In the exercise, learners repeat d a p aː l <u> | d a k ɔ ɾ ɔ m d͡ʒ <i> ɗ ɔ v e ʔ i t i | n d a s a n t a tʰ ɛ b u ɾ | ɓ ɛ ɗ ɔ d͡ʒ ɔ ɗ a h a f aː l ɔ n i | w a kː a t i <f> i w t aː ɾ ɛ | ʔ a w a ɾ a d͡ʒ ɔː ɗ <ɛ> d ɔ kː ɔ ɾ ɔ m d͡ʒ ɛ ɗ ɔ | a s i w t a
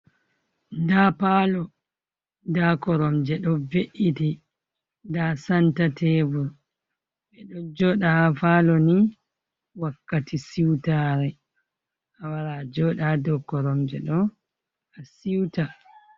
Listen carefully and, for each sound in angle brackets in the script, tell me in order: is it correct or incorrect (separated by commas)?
incorrect, incorrect, incorrect, incorrect